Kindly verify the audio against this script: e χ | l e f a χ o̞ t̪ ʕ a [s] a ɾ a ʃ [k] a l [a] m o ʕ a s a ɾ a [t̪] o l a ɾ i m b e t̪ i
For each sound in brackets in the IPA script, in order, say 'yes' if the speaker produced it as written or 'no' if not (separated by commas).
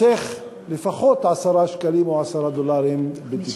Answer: yes, yes, no, no